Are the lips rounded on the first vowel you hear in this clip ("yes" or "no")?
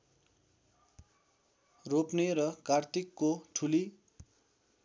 yes